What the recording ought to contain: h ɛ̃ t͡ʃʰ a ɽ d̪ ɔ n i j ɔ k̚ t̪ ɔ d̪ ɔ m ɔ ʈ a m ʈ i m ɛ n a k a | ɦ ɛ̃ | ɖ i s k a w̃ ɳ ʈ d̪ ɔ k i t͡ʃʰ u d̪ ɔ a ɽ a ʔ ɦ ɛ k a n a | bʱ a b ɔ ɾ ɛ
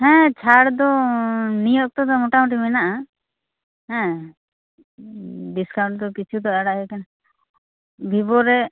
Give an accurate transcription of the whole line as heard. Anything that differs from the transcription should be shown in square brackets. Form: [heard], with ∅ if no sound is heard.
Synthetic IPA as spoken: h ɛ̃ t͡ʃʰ a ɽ d̪ ɔ n i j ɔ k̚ t̪ ɔ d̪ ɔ m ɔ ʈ a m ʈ i m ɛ n a [ʔ] a | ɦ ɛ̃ | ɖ i s k a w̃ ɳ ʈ d̪ ɔ k i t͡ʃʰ u d̪ ɔ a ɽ a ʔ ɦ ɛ k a n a | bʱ [i] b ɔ ɾ ɛ

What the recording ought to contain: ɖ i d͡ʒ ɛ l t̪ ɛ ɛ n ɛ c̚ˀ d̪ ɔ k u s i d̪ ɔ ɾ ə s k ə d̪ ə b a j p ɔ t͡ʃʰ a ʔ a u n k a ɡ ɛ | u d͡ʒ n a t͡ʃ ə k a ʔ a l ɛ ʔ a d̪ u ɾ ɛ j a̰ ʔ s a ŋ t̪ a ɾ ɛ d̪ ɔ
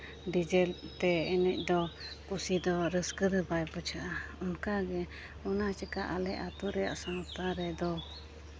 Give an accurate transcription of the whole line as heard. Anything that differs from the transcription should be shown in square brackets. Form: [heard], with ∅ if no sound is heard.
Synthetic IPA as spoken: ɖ i d͡ʒ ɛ l t̪ ɛ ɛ n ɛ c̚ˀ d̪ ɔ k u s i d̪ ɔ ɾ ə s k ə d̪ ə b a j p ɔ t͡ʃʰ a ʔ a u n k a ɡ ɛ | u [∅] n a t͡ʃ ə k a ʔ a l ɛ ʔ a [t̪] u ɾ ɛ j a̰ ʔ s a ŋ t̪ a ɾ ɛ d̪ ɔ

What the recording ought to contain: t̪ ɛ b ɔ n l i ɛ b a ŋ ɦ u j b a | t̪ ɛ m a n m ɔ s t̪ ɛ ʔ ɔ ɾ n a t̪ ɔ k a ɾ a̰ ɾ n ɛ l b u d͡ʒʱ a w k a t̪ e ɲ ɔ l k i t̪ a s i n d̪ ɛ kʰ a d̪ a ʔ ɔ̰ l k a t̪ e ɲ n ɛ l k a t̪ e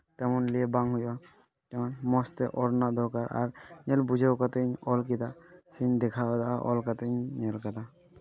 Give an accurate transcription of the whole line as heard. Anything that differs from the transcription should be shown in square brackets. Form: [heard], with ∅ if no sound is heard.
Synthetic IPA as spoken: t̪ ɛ [m] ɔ n l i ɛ b a ŋ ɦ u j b a | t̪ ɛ m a n m ɔ s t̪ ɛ ʔ ɔ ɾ n a [d̪] ɔ k a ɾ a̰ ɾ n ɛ l b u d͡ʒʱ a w k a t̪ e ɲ ɔ l k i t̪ a s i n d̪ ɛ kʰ a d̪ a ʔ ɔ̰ l k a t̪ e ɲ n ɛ l k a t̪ [a]

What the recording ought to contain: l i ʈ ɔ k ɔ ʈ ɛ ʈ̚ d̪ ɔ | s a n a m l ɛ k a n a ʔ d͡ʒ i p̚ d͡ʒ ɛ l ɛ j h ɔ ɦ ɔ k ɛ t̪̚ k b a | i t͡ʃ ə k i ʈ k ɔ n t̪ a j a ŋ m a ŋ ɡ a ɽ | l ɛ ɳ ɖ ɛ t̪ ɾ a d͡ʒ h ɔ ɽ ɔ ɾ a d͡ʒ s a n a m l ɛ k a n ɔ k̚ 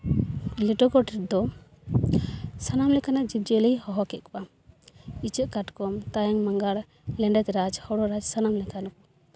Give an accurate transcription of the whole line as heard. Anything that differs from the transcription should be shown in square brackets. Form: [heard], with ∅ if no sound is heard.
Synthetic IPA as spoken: l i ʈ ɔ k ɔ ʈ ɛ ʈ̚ d̪ ɔ | s a n a m l ɛ k a n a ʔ d͡ʒ i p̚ d͡ʒ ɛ l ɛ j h ɔ ɦ ɔ k ɛ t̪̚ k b a | i t͡ʃ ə k [a] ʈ k ɔ [m] t̪ a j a ŋ m a ŋ ɡ a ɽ | l ɛ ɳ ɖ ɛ t̪ ɾ a d͡ʒ h ɔ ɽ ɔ ɾ a d͡ʒ s a n a m l ɛ k a n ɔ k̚

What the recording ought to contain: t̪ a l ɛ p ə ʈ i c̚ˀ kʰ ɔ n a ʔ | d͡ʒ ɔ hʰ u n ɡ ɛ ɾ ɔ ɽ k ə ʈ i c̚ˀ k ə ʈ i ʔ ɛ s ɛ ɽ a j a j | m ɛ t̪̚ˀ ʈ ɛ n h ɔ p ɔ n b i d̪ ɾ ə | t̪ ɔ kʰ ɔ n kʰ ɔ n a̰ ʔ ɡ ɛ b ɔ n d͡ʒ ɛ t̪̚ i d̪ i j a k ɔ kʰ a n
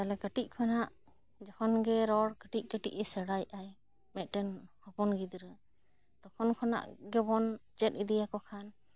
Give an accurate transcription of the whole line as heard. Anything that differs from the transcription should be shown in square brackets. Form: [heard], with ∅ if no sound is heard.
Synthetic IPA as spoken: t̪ a l ɛ [k] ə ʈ i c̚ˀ kʰ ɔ n a ʔ | d͡ʒ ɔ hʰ [ɔ] n ɡ ɛ ɾ ɔ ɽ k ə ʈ i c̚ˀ k ə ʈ i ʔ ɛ s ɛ ɽ a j a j | m ɛ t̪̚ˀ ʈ ɛ n h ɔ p ɔ n [ɡ] i d̪ ɾ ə | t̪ ɔ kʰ ɔ n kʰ ɔ n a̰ ʔ ɡ ɛ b ɔ n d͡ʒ ɛ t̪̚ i d̪ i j a k ɔ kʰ a n

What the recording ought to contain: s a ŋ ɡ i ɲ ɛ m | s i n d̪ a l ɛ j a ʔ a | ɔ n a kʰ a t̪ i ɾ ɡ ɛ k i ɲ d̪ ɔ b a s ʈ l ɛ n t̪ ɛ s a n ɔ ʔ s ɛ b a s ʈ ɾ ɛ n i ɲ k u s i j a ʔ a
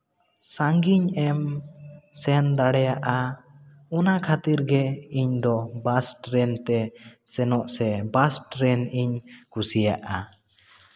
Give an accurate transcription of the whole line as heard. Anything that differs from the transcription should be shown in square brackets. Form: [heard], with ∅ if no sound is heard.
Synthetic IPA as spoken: s a ŋ ɡ i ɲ ɛ m | s [ɛ] n d̪ a [ɽ] ɛ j a ʔ a | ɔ n a kʰ a t̪ i ɾ ɡ ɛ [∅] i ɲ d̪ ɔ b a s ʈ [ɾ] ɛ n t̪ ɛ s [ɛ] n ɔ ʔ s ɛ b a s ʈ ɾ ɛ n i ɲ k u s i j a ʔ a

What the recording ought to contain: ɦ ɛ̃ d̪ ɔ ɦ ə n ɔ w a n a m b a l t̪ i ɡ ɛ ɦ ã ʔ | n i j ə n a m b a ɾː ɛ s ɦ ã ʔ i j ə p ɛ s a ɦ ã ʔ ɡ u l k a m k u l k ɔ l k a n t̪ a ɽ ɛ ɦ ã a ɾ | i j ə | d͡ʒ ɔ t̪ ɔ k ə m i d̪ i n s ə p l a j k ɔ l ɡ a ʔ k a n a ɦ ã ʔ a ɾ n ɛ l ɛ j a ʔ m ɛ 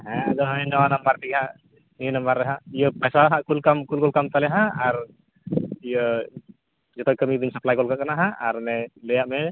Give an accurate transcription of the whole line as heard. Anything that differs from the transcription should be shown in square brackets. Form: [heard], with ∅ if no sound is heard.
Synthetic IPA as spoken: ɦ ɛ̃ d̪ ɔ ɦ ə n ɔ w a n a m b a [ɾ] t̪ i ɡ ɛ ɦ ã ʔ | n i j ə n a m b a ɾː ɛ [∅] ɦ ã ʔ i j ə p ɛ s a ɦ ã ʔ [k] u l k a m k u l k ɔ l k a [m] t̪ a [l] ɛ ɦ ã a ɾ | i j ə | d͡ʒ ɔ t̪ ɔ k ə m i d̪ i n s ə p l a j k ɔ l [k] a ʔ k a n a ɦ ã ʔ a ɾ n ɛ l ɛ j a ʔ m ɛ

